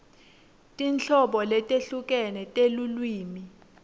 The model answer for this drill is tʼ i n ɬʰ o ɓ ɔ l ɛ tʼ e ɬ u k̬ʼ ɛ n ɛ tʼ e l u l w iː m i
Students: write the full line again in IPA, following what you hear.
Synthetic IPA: tʼ i n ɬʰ ɔ ɓ ɔ l ɛ tʼ e ɬ u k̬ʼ ɛ n ɛ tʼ e l u l w iː m i